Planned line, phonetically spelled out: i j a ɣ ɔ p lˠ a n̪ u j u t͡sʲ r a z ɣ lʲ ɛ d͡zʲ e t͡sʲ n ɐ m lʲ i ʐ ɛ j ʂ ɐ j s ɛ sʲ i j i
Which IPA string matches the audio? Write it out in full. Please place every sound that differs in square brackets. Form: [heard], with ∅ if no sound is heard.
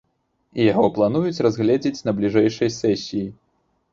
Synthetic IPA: i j a ɣ ɔ p lˠ a n̪ u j u t͡sʲ r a z ɣ lʲ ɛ d͡zʲ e t͡sʲ n ɐ [b] lʲ i ʐ ɛ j ʂ ɐ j s ɛ sʲ i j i

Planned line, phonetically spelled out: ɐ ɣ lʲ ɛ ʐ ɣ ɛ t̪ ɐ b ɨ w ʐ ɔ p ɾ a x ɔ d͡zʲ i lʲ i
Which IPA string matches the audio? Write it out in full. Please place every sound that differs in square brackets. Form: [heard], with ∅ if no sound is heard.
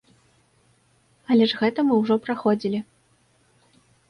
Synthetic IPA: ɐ [∅] lʲ ɛ ʐ ɣ ɛ t̪ ɐ [m] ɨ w ʐ ɔ p ɾ a x ɔ d͡zʲ i lʲ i

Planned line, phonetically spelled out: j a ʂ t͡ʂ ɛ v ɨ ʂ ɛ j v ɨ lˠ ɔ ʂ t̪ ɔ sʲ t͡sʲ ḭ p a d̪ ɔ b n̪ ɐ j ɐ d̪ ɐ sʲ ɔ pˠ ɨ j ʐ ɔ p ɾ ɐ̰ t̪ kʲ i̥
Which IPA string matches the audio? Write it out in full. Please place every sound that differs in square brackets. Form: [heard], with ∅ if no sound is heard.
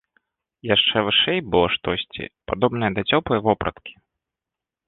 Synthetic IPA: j a ʂ t͡ʂ ɛ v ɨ ʂ ɛ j [b] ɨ lˠ ɔ ʂ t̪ ɔ sʲ t͡sʲ ḭ p a d̪ ɔ b n̪ ɐ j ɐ d̪ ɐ [t͡sʲ] ɔ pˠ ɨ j [v] ɔ p ɾ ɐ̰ t̪ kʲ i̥

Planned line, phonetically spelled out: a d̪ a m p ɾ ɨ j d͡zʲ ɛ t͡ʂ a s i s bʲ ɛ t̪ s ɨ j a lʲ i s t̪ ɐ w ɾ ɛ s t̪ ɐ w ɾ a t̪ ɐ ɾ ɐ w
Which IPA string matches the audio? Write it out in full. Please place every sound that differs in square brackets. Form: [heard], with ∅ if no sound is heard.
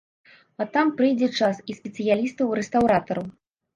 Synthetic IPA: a [t̪] a m p ɾ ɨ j d͡zʲ ɛ t͡ʂ a s i s [pʲ] ɛ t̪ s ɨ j a lʲ i s t̪ ɐ w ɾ ɛ s t̪ [a] w ɾ a t̪ ɐ ɾ ɐ w

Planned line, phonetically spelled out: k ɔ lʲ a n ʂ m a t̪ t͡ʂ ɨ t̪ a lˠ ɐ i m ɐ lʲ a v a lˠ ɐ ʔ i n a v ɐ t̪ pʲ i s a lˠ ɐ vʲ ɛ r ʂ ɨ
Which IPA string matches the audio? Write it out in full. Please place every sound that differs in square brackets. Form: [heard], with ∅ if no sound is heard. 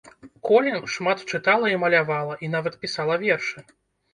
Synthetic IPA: k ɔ lʲ [ɛ] n ʂ m a t̪ t͡ʂ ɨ t̪ a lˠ ɐ i m ɐ lʲ a v a lˠ ɐ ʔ i n a v ɐ t̪ pʲ i s a lˠ ɐ vʲ ɛ r ʂ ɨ

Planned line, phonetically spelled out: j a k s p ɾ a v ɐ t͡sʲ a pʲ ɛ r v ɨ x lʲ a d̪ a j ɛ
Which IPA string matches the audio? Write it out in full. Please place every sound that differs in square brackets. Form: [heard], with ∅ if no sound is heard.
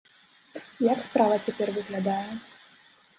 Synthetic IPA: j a k s p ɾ a v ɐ t͡sʲ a pʲ ɛ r v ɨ [ɣ] lʲ a d̪ a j ɛ

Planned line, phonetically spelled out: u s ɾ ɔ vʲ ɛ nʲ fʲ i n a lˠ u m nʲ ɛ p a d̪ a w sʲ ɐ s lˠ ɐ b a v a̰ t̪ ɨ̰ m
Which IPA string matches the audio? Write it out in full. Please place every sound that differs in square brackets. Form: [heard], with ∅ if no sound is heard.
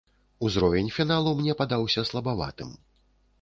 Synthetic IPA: u [z] ɾ ɔ vʲ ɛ nʲ fʲ i n a lˠ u m nʲ ɛ p a d̪ a w sʲ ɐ s lˠ ɐ b a v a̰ t̪ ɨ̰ m

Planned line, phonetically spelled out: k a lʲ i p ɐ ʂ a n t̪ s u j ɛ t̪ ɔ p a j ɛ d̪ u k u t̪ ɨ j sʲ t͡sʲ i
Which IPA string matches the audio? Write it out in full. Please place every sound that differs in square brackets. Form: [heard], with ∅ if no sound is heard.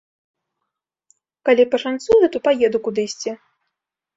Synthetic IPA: k a lʲ i p ɐ ʂ a n t̪ s u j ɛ t̪ ɔ p a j ɛ d̪ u k u [d̪] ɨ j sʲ t͡sʲ i

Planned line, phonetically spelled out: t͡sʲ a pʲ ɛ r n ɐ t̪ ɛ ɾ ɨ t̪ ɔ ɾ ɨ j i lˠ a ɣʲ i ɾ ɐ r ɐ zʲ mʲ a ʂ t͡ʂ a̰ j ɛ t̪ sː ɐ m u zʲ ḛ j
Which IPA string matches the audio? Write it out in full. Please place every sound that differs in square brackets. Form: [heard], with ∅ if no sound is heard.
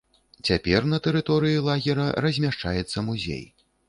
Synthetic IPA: t͡sʲ a pʲ ɛ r n ɐ t̪ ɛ ɾ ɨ t̪ ɔ ɾ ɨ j i lˠ a ɣʲ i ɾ ɐ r ɐ zʲ mʲ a ʂ t͡ʂ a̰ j ɛ t̪ sː ɐ m u zʲ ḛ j

